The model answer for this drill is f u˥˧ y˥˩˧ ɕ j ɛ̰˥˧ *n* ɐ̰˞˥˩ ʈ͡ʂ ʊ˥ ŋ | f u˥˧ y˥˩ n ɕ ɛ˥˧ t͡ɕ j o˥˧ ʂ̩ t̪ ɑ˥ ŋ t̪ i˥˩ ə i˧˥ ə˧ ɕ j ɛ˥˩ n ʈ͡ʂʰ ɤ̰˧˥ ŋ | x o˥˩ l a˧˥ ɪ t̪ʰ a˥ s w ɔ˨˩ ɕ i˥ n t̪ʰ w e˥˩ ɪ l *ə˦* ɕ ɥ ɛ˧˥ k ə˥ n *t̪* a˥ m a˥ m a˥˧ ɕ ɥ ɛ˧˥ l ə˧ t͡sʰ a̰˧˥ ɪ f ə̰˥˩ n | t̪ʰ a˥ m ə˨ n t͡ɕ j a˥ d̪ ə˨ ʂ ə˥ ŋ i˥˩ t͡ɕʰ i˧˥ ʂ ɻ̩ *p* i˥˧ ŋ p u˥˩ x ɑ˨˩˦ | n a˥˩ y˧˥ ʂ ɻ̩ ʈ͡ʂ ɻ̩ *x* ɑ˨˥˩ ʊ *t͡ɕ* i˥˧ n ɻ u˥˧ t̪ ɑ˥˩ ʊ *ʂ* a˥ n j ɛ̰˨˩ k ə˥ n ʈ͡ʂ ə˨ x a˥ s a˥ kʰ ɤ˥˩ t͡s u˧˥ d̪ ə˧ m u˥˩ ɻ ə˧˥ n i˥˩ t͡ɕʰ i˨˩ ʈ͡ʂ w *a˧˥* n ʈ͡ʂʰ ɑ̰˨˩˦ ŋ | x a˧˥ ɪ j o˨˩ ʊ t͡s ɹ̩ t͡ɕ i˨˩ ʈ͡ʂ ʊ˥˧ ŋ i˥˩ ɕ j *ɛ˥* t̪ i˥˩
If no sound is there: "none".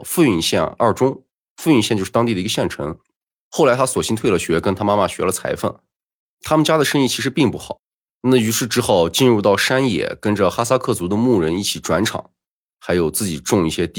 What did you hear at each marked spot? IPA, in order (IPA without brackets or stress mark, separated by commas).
n, ə˩, t̪ʰ, p, x, t͡ɕ, ʂ, a˧˥, ɛ˥